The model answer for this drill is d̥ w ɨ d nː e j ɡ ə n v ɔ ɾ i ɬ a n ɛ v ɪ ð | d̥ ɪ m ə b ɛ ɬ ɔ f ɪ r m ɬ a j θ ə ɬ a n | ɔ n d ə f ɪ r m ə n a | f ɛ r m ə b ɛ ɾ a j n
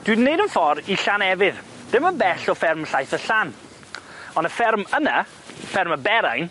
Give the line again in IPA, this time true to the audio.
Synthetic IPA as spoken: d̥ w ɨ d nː e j d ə n f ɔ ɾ i ɬ a n ɛ v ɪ ð | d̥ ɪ m ə b ɛ ɬ ɔ f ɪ r m ɬ a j θ ə ɬ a n | ɔ n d ə f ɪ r m ə n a | f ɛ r m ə b ɛ ɾ a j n